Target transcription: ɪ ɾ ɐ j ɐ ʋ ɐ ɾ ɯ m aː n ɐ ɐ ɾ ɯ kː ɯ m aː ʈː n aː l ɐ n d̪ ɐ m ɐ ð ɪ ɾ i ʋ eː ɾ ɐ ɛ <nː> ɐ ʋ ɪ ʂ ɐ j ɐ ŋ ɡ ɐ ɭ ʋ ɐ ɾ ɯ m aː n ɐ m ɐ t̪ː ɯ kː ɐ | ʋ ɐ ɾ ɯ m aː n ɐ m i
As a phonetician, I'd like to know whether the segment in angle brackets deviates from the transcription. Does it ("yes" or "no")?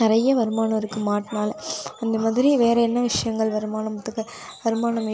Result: no